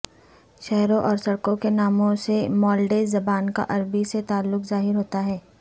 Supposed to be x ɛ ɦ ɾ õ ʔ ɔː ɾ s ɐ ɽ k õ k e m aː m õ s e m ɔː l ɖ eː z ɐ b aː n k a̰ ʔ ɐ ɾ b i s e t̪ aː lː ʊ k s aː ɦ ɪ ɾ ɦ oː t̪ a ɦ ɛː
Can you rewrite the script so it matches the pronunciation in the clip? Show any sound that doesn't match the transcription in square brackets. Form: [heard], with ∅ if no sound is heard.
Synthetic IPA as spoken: [ʃ] ɛ ɦ ɾ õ ʔ ɔː ɾ s ɐ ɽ k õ k e [n] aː m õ s e m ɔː l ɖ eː z ɐ b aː n k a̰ ʔ ɐ ɾ b i s e t̪ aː lː ʊ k [z] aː ɦ ɪ ɾ ɦ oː t̪ a ɦ ɛː